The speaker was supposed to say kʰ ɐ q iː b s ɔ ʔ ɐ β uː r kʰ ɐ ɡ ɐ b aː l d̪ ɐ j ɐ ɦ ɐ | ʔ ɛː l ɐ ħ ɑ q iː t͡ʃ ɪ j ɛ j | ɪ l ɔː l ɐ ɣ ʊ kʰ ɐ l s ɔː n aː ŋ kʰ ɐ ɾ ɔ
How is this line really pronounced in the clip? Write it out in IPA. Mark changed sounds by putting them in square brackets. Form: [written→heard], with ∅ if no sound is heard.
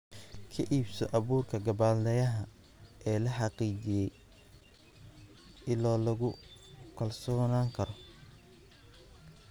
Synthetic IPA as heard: kʰ ɐ [q→ʔ] iː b s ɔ ʔ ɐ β uː r kʰ ɐ ɡ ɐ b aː l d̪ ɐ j ɐ ɦ ɐ | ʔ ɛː l ɐ ħ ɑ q iː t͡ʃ ɪ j ɛ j | ɪ l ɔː l ɐ ɣ ʊ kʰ ɐ l s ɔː n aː ŋ kʰ ɐ ɾ ɔ